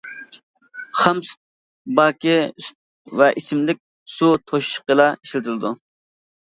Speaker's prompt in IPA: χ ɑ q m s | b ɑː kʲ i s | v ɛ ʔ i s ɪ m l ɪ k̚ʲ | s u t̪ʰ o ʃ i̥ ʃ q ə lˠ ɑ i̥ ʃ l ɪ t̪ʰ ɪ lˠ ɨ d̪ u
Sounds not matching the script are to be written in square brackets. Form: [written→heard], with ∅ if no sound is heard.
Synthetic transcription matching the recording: χ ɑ [q→∅] m s | b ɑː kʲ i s | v ɛ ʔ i s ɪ m l ɪ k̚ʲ | s u t̪ʰ o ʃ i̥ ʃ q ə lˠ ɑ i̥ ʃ l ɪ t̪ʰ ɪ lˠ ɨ d̪ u